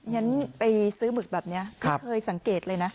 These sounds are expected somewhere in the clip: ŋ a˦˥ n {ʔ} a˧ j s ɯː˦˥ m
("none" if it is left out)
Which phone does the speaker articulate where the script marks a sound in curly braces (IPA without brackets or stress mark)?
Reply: p